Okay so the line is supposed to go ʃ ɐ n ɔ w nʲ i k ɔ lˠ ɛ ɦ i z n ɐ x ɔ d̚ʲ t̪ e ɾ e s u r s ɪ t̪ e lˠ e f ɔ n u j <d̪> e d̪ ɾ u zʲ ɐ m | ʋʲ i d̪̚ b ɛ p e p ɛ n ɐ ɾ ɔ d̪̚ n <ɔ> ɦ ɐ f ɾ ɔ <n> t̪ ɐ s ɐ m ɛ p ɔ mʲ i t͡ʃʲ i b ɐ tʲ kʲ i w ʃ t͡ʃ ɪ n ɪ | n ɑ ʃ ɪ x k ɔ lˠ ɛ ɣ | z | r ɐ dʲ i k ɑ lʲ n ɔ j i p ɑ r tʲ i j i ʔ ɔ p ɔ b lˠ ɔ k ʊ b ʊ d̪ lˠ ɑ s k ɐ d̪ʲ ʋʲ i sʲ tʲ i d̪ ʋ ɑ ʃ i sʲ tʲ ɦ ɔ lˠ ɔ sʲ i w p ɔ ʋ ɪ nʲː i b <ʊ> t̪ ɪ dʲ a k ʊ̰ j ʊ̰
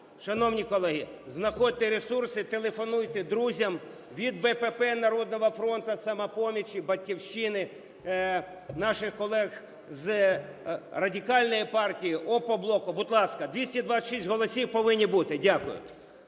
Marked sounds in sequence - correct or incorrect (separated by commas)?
incorrect, correct, correct, incorrect